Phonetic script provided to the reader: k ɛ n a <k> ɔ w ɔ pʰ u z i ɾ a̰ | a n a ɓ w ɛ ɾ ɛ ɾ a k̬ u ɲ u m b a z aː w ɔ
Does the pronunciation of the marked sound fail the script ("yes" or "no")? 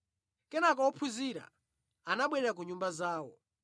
no